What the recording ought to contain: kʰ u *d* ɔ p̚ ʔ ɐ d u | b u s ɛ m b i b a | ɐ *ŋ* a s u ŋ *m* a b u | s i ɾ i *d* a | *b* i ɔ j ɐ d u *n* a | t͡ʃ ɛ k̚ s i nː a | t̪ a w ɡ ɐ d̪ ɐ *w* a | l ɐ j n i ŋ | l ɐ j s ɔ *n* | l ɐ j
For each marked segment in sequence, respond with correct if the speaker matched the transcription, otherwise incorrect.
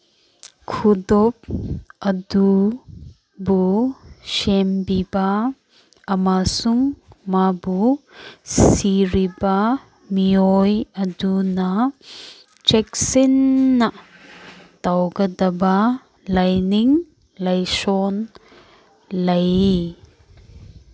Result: correct, incorrect, correct, incorrect, incorrect, correct, incorrect, correct

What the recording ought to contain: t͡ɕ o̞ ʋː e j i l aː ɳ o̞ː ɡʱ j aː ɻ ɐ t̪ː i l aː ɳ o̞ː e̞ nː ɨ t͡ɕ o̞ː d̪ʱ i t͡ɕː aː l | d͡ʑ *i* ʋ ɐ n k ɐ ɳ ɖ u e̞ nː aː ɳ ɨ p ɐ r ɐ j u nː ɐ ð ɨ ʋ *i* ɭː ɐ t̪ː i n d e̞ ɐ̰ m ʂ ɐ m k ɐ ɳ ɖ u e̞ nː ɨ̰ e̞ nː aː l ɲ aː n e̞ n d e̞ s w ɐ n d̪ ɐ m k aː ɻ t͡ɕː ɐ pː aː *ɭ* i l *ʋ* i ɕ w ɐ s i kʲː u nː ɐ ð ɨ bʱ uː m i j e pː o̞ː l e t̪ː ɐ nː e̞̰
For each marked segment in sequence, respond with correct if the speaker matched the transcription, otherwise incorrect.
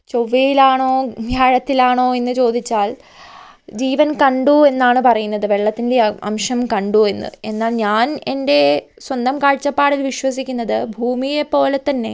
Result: incorrect, incorrect, incorrect, correct

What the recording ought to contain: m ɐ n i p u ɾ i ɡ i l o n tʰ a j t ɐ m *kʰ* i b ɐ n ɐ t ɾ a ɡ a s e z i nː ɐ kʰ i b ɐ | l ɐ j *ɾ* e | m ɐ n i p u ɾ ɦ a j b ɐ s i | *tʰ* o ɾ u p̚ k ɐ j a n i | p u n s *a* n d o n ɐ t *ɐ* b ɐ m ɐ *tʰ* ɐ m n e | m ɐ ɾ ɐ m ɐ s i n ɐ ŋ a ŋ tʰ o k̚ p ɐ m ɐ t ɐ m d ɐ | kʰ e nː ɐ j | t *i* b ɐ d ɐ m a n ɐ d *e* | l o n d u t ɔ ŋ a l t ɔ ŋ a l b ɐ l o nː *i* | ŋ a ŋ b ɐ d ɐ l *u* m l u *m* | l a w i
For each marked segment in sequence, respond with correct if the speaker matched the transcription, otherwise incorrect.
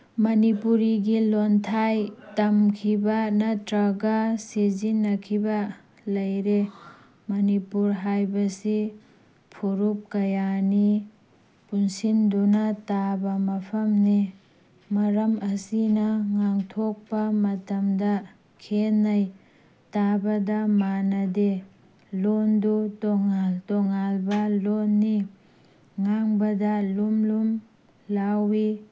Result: correct, correct, incorrect, incorrect, incorrect, incorrect, incorrect, correct, correct, correct, correct

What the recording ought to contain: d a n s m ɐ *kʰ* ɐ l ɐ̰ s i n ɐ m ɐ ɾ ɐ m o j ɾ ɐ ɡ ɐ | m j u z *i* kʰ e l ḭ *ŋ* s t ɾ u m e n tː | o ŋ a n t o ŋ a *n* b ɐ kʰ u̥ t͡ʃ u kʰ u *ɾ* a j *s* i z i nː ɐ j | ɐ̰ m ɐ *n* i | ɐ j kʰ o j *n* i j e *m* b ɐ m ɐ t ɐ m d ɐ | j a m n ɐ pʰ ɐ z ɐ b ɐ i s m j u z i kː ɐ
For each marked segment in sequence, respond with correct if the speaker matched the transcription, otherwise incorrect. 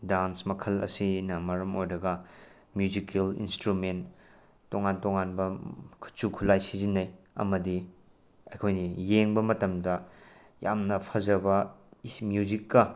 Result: correct, correct, incorrect, correct, incorrect, correct, incorrect, correct, incorrect

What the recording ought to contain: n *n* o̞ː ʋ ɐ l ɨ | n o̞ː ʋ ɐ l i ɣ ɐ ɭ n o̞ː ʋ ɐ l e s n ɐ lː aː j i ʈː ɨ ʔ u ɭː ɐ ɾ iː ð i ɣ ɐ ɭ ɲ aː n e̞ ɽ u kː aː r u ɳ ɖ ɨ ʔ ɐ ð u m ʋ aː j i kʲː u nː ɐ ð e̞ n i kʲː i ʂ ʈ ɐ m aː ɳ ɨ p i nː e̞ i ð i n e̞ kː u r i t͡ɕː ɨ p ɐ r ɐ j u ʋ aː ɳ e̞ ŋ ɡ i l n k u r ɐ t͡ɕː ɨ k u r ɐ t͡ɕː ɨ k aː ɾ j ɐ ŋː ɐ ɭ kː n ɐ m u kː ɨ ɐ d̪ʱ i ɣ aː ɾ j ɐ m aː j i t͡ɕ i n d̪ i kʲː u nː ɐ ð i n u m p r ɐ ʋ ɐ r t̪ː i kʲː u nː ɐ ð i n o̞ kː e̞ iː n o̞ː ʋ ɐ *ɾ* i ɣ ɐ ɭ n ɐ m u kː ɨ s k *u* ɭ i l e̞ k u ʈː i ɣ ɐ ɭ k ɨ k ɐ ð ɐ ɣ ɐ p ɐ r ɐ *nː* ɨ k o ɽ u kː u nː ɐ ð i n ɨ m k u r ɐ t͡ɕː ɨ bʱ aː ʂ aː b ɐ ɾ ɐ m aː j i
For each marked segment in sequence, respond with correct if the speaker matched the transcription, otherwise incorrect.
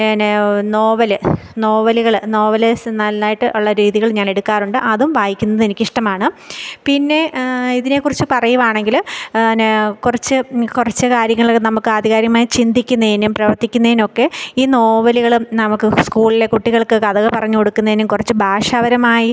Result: correct, incorrect, incorrect, incorrect

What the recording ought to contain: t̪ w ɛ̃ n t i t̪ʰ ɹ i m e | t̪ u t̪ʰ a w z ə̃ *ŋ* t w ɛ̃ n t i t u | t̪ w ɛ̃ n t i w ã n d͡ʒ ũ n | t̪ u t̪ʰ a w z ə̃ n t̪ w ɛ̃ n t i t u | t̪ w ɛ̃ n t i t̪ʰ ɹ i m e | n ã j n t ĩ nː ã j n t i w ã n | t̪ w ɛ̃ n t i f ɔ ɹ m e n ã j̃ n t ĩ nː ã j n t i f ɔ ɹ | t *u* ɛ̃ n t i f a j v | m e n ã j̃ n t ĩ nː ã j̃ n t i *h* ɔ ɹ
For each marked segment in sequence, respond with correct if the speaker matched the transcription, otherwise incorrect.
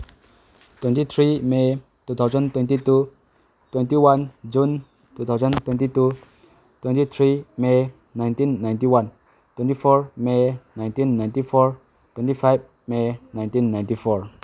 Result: incorrect, incorrect, incorrect

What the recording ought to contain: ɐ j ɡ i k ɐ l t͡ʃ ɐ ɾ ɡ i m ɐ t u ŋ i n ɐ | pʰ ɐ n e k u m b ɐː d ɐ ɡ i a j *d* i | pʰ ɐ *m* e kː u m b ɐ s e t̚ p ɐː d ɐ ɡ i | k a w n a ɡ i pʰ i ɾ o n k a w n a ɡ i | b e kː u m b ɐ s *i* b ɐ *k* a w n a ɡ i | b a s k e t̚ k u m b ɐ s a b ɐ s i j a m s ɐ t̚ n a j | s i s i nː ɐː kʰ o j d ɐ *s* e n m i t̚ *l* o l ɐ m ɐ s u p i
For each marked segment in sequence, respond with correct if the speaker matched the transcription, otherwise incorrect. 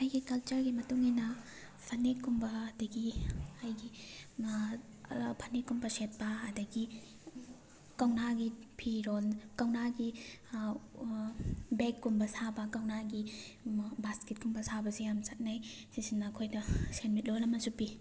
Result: incorrect, incorrect, incorrect, correct, correct, correct

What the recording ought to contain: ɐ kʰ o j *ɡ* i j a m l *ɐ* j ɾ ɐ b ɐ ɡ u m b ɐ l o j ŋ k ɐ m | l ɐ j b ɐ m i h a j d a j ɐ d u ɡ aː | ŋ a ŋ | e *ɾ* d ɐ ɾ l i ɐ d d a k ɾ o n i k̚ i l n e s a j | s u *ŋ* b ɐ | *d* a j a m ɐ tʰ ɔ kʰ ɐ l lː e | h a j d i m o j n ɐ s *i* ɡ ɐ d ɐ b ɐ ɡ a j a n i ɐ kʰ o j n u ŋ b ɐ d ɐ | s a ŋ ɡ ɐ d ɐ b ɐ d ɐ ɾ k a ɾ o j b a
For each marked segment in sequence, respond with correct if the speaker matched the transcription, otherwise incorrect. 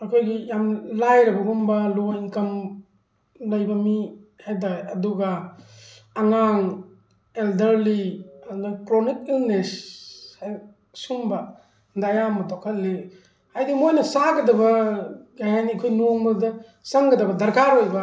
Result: correct, incorrect, incorrect, incorrect, correct, incorrect

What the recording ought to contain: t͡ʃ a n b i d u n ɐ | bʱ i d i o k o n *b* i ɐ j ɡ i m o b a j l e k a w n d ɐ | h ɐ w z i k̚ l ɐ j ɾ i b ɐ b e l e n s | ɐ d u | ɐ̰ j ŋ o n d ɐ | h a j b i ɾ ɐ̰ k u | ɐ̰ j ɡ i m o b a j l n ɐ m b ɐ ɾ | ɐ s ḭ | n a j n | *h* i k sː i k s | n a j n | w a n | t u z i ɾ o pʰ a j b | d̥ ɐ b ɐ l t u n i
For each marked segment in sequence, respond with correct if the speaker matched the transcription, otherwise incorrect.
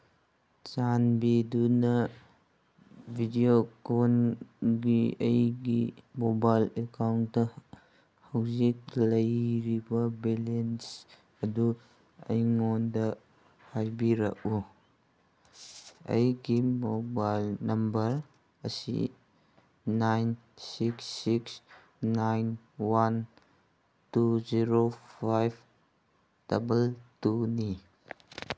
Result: incorrect, incorrect

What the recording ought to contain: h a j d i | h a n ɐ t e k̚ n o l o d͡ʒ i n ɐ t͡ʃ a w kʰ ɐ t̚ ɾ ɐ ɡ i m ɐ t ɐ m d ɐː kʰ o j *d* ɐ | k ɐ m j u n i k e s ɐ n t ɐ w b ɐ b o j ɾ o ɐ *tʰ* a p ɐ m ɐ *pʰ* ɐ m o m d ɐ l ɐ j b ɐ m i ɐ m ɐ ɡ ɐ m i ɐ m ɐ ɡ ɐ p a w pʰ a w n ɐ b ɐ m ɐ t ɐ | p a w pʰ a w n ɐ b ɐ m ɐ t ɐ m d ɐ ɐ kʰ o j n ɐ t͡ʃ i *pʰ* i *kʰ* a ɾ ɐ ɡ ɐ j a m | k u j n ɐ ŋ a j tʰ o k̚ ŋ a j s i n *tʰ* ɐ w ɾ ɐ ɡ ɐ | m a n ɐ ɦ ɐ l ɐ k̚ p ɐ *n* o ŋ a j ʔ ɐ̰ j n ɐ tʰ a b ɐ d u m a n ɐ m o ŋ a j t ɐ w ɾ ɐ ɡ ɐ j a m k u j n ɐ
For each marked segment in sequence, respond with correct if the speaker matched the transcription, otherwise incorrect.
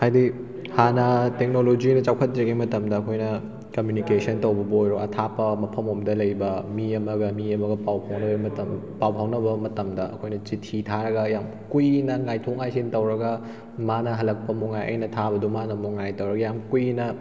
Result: incorrect, correct, correct, incorrect, incorrect, incorrect, incorrect

